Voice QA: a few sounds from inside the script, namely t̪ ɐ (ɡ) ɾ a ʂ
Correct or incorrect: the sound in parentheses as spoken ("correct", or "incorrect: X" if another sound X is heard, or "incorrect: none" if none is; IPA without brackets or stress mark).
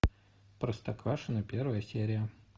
incorrect: k